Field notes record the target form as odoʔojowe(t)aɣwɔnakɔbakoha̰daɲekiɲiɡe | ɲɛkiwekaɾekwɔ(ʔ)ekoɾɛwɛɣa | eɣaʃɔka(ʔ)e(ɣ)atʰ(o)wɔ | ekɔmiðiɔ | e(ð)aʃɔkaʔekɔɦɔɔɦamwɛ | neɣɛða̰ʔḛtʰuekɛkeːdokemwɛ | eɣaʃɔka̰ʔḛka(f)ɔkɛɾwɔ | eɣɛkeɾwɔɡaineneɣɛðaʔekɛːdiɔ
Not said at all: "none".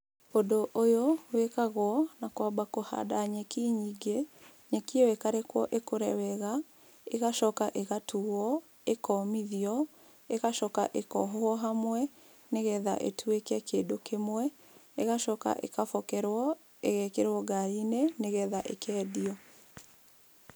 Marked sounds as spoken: k, ʔ, ʔ, ɣ, u, ɣ, f

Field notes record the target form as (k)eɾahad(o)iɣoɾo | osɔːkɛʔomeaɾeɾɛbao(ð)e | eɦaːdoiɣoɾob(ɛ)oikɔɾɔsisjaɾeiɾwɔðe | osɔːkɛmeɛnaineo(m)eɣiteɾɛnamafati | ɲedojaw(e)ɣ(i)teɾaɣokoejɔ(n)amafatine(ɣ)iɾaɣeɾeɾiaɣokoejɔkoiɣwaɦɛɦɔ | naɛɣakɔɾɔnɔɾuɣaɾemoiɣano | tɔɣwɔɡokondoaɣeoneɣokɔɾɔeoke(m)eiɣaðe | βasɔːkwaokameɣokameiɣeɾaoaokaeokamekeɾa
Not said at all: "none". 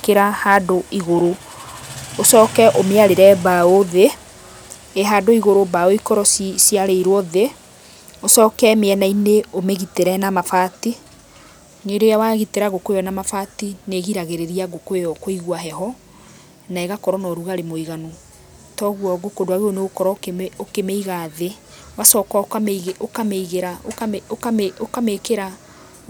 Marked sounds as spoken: k, o, ð, a, m, a, i, n, ɣ, m

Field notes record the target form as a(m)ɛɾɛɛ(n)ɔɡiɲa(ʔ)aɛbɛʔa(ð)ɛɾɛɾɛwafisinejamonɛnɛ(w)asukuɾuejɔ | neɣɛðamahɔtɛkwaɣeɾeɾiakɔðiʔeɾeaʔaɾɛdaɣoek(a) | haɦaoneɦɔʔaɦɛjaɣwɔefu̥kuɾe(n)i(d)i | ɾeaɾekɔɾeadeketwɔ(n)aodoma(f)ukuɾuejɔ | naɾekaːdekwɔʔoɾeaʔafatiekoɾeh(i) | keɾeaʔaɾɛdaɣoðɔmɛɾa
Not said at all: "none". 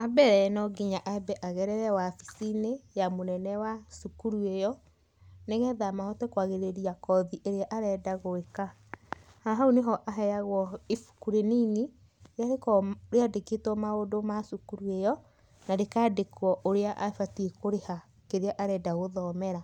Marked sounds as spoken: b, n, ʔ, ɣ, w, a, n, n, m, s, a

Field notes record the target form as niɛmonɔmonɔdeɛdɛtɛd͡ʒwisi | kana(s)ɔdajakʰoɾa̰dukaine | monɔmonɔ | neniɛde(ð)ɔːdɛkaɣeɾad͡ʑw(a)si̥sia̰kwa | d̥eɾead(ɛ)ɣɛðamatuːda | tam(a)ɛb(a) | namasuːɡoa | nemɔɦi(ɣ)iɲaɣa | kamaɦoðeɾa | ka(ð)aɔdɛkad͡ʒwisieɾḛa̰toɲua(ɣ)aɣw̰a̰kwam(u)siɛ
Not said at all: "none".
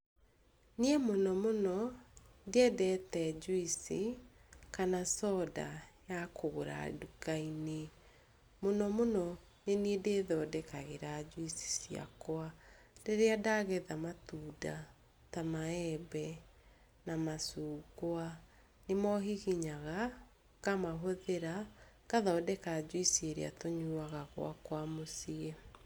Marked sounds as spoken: s, ð, i, a, a, ɛ, ɣ, ð, ɣ, o

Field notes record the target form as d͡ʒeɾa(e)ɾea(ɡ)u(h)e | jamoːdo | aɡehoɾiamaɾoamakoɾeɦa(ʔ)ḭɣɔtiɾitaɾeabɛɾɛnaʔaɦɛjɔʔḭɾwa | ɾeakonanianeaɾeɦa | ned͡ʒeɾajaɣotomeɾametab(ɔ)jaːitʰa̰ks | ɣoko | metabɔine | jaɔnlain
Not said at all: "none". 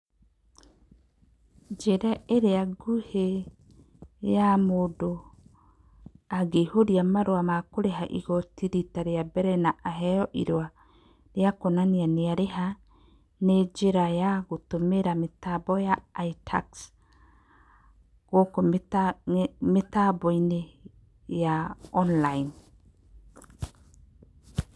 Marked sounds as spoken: e, ɡ, h, ʔ, ɔ

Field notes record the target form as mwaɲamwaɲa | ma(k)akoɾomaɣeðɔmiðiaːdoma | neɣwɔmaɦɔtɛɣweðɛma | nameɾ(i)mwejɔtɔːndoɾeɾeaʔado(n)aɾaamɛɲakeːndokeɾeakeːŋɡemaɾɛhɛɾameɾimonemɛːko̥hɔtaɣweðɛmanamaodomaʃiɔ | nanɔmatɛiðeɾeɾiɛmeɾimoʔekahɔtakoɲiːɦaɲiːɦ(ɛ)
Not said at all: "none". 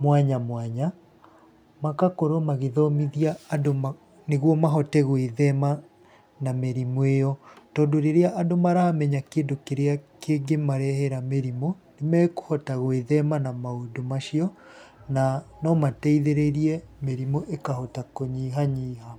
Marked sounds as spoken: k, i, m, a

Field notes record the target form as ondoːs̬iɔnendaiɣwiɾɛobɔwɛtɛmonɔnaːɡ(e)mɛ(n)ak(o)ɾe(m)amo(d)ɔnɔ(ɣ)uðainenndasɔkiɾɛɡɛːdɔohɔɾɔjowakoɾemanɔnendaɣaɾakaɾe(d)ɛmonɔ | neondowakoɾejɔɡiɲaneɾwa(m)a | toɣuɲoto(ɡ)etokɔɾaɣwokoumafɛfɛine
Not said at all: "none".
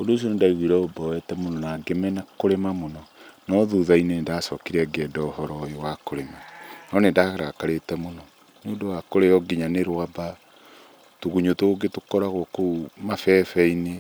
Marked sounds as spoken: e, n, o, m, n, ð, t, b, ɡ

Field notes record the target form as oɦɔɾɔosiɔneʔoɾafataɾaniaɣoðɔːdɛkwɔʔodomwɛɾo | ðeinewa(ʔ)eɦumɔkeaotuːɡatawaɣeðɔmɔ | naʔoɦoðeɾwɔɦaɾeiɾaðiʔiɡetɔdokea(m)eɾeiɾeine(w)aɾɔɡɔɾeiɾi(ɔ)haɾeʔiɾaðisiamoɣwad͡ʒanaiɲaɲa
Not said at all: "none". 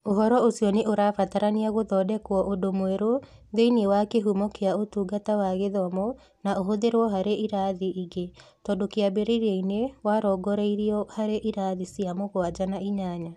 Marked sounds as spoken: k, b, w, ɔ

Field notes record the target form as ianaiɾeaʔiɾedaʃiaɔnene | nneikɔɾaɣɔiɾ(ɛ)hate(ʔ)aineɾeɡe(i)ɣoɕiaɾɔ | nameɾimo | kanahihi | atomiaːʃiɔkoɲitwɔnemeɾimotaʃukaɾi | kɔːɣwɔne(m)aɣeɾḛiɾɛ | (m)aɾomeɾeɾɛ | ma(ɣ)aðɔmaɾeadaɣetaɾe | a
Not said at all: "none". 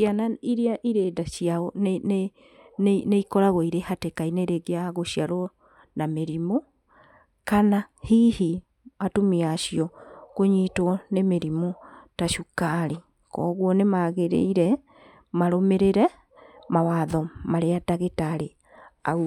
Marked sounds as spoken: e, k, a, m, m, w

